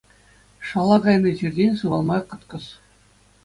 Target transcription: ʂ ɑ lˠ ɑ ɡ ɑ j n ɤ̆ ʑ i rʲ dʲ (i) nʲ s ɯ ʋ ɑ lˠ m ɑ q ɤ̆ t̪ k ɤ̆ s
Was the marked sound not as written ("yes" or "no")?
yes